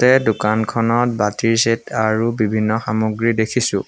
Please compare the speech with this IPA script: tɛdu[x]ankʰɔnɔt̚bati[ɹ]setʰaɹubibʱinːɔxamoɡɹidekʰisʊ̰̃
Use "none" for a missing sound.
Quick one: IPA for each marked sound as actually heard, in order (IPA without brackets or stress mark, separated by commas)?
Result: k, ɹ